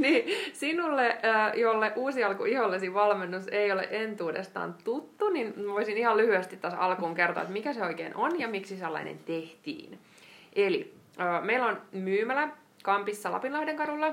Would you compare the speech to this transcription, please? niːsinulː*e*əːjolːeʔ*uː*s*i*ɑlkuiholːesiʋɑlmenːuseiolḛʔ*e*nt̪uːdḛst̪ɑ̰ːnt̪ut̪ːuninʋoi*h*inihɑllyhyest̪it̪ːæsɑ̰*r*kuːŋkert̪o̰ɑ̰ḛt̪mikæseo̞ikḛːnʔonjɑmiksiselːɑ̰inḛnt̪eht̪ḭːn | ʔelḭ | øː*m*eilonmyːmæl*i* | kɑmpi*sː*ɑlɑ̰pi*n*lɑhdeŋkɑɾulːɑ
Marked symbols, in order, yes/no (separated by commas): yes, yes, yes, yes, no, no, yes, no, yes, yes